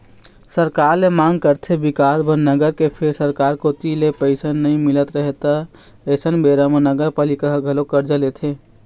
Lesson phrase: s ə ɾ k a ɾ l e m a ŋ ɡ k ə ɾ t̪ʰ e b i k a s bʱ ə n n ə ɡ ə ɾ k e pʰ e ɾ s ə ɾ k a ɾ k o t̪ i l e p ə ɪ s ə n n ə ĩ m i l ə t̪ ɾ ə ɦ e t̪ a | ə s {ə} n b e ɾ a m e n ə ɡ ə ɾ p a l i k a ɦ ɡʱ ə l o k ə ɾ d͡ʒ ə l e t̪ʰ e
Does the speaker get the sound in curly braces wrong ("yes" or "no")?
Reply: no